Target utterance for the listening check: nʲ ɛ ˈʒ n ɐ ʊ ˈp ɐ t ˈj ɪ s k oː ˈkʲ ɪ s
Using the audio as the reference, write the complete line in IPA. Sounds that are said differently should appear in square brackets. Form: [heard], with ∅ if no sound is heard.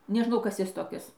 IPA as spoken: nʲ ɛ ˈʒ n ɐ ʊ [ˈk] ɐ [s] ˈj ɪ s [t] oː ˈkʲ ɪ s